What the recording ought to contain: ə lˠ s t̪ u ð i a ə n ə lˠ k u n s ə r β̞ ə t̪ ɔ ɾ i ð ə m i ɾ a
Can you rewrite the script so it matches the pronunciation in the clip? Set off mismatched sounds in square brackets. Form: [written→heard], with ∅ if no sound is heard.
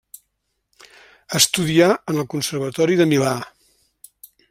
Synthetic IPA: ə [lˠ→∅] s t̪ u ð i a ə n ə lˠ k u n s ə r β̞ ə t̪ ɔ ɾ i ð ə m i [ɾ→l] a

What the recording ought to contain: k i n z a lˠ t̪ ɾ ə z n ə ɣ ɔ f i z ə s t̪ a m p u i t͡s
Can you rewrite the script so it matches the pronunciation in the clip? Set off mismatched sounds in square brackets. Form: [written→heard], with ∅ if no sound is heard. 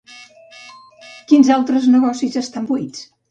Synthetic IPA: k i n z a lˠ t̪ ɾ ə z n ə ɣ ɔ [f→s] i z ə s t̪ a m [p→b] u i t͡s

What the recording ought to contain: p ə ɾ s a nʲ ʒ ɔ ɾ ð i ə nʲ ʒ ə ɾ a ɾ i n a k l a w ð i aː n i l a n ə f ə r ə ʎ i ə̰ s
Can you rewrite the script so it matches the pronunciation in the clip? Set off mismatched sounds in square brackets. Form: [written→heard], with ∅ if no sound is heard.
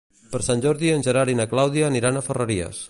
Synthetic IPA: p ə ɾ s a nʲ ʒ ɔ ɾ ð i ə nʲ ʒ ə ɾ a ɾ i n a k l a w ð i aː n i [l→ɾ] a n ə f ə r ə [ʎ→ɾ] i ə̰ s

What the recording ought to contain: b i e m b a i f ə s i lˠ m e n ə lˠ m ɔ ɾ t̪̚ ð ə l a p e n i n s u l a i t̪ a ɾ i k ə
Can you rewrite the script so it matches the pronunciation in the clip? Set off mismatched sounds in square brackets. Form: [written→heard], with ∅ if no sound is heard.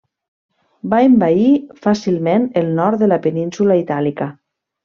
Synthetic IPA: b [i→a] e m b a i f [ə→a] s i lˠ m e n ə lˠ [m→n] ɔ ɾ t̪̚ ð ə l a p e n i n s u l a i t̪ a [ɾ→l] i k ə

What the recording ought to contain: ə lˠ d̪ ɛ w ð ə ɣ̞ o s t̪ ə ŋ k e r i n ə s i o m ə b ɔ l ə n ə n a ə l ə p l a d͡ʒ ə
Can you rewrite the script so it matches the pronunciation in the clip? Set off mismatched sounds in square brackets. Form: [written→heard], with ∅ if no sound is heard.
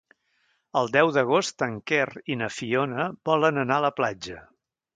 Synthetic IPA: ə lˠ d̪ ɛ w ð ə ɣ̞ o s t̪ ə ŋ k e r i n ə [s→f] i o [m→n] ə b ɔ l ə n ə n a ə l ə p l a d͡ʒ ə

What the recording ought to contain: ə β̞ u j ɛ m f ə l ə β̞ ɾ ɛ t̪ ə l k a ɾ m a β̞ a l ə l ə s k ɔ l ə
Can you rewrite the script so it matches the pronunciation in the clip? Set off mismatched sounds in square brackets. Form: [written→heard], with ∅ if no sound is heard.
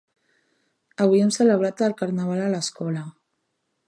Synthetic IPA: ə β̞ u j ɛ m [f→s] ə l ə β̞ ɾ [ɛ→a] t̪ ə l k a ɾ [m→n] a β̞ a l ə l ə s k ɔ l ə

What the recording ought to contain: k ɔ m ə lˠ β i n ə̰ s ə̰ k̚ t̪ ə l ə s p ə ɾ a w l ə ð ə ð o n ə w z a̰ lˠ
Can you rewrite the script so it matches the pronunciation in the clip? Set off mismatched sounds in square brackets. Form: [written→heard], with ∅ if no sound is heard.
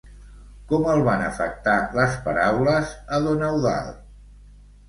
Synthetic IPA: k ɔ m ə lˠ β [i→a] n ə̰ [s→f] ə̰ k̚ t̪ [ə→a] l ə s p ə ɾ a w l ə [ð→z] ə ð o n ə w [z→ð] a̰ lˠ

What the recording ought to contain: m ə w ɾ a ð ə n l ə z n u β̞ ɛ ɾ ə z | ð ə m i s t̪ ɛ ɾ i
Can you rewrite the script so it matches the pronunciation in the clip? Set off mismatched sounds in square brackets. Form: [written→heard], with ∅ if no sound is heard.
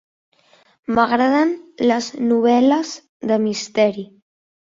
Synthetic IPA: m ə [w→ɣ] ɾ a ð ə n l ə z n u β̞ ɛ [ɾ→l] ə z | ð ə m i s t̪ ɛ ɾ i

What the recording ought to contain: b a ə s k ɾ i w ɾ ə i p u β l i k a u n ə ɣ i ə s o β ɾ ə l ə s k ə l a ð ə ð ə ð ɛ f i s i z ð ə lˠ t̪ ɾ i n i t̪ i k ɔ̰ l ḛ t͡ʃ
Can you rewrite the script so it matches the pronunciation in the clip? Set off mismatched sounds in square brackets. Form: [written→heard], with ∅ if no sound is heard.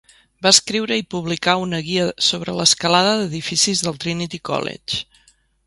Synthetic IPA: b a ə s k ɾ i w ɾ ə i p u β l i k a u n ə ɣ i ə s o β ɾ ə l ə s k ə l a ð ə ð ə ð [ɛ→i] f i s i z ð ə lˠ t̪ ɾ i n i t̪ i k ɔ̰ l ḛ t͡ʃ

